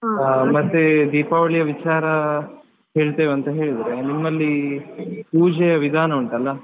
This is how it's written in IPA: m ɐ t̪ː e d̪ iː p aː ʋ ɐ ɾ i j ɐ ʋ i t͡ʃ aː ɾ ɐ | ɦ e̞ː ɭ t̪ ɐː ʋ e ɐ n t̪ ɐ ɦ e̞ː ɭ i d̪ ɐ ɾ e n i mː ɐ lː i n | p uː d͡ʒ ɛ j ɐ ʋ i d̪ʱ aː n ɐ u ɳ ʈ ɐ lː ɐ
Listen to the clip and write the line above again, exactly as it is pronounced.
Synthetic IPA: m ɐ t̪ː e d̪ iː p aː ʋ ɐ ɭ i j ɐ ʋ i t͡ʃ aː ɾ ɐ | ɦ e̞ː ɭ t̪ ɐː ʋ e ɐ n t̪ ɐ ɦ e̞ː ɭ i d̪ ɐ ɾ e n i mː ɐ lː i | p uː d͡ʒ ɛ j ɐ ʋ i d̪ʱ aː n ɐ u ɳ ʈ ɐ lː ɐ